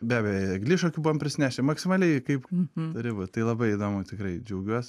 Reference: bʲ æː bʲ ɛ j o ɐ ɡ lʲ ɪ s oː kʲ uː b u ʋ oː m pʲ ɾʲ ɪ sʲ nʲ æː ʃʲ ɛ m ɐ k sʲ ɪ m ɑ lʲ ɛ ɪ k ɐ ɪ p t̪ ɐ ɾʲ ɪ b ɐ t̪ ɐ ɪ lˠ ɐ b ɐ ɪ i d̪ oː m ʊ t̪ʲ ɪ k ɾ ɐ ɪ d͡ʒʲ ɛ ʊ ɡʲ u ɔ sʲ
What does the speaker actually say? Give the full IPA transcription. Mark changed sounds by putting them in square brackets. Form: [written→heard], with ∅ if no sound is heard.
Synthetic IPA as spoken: bʲ æː bʲ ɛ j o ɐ ɡ lʲ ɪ [s→ʃ] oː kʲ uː b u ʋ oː m pʲ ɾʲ ɪ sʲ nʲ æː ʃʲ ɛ m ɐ k sʲ ɪ m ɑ lʲ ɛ ɪ k ɐ ɪ p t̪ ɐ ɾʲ ɪ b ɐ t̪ ɐ ɪ lˠ ɐ b ɐ ɪ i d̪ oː m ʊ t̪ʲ ɪ k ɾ ɐ ɪ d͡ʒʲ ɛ ʊ ɡʲ u ɔ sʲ